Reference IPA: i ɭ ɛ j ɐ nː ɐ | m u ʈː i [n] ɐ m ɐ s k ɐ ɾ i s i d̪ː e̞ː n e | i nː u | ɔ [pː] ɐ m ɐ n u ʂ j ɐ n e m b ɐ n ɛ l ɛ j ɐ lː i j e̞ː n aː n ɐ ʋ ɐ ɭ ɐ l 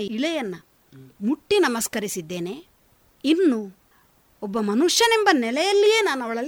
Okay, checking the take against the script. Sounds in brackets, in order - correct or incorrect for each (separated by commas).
correct, incorrect